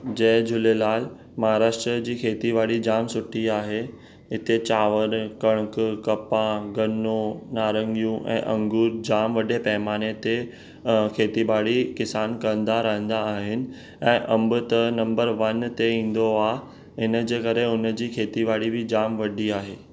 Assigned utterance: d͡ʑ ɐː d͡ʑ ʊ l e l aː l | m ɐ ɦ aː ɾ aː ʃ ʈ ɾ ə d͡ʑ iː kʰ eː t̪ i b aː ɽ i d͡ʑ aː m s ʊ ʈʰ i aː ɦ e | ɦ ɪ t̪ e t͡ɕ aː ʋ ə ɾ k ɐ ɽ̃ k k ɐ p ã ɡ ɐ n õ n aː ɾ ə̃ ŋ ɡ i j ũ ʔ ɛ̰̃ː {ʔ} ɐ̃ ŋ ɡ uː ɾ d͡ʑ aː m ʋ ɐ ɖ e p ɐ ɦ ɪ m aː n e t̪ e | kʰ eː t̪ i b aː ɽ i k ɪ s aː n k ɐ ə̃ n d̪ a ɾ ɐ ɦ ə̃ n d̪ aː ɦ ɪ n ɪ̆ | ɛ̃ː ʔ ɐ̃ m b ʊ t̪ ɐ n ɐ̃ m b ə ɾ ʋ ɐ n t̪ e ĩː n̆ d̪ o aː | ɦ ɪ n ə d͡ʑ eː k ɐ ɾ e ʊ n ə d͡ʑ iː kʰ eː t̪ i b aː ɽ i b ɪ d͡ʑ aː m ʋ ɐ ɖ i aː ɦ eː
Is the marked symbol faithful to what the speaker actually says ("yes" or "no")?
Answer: yes